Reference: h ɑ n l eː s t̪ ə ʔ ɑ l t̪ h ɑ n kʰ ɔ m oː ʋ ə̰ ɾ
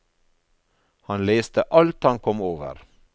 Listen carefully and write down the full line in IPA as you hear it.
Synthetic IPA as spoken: h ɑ n l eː s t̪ ə ʔ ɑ l t̪ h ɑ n kʰ ɔ m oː ʋ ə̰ ɾ